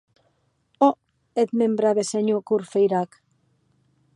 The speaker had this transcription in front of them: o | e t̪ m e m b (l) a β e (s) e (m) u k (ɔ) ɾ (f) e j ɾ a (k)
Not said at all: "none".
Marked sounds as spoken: ɾ, s, ɲ, u, f, k

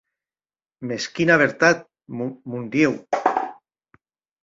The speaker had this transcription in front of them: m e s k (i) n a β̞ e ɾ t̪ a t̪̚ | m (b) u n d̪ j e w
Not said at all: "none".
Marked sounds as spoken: i, m

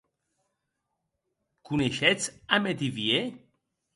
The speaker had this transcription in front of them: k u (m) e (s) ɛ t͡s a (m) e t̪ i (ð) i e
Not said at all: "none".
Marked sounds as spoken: n, ʃ, m, v

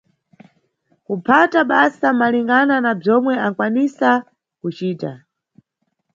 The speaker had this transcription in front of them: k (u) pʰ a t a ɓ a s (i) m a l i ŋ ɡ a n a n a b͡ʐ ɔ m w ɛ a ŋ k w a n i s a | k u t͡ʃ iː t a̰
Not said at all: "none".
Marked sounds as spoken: u, a

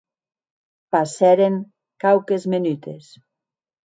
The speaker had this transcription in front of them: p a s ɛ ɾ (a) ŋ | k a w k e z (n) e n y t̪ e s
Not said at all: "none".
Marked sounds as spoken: e, m

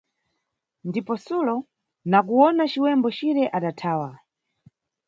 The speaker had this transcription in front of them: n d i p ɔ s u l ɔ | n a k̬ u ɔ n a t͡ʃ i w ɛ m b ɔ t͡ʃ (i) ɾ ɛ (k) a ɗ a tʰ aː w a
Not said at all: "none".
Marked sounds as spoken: i, ʔ

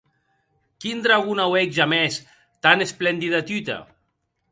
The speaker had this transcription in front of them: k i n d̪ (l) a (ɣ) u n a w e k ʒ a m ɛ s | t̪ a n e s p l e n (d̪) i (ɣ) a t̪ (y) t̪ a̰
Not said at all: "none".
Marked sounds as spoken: ɾ, ɣ, d̪, ð, y

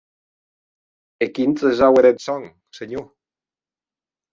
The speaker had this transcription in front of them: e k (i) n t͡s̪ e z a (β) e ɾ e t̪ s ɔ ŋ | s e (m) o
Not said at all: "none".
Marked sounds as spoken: i, w, ɲ

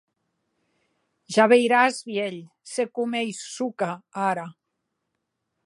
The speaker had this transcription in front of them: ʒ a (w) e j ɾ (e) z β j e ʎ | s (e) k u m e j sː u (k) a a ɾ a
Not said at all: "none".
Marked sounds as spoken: β, a, e, k

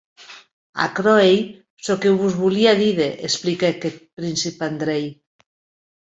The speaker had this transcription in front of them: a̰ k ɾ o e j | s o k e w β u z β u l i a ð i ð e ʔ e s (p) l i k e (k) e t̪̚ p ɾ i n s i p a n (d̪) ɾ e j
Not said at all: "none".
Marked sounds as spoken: p, k, d̪

